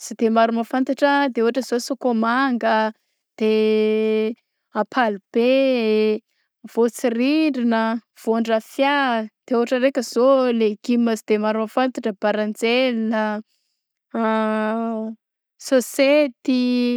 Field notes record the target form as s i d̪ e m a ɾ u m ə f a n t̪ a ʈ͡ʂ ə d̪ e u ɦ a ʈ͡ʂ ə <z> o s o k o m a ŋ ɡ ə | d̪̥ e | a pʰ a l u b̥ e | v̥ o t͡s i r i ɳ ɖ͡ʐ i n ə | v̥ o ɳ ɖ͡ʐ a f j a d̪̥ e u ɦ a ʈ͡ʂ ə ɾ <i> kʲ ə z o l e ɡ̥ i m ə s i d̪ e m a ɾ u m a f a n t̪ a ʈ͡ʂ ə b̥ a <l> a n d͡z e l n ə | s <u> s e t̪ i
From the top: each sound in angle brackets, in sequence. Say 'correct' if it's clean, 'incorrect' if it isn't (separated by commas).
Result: correct, incorrect, incorrect, incorrect